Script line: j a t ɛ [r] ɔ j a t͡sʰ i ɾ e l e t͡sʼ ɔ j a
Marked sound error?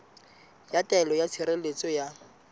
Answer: yes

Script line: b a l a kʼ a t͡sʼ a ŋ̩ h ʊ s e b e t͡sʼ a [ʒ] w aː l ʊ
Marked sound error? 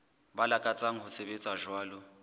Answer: no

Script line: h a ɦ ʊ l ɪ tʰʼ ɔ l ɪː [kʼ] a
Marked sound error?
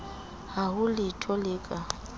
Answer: no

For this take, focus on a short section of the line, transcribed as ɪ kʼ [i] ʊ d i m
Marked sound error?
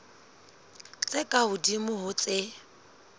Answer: yes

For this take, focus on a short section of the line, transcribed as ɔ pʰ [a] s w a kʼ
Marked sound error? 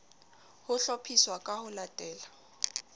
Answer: yes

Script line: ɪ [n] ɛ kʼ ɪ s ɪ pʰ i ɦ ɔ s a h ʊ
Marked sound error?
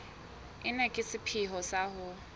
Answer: no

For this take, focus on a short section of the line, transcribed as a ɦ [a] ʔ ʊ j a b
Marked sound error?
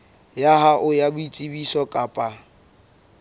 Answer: no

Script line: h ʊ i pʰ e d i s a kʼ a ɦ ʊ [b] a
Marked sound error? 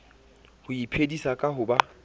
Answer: no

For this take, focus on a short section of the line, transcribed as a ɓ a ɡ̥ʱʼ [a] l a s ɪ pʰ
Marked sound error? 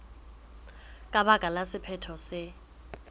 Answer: no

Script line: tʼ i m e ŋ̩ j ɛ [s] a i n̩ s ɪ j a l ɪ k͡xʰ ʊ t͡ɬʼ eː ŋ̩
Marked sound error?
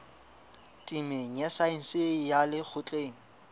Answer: no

